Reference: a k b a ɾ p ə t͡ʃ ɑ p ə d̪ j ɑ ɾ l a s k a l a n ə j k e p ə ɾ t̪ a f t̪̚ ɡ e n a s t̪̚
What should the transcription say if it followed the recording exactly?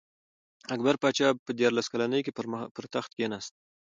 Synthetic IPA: a k b a ɾ p ɑ t͡ʃ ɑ p ə d̪ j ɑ ɾ l a s k a l a n ə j k e p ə ɾ t̪ a x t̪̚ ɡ e n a s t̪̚